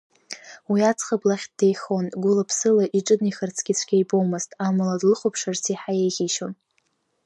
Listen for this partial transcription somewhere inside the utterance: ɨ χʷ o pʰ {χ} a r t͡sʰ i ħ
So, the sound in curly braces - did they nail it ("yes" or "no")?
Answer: no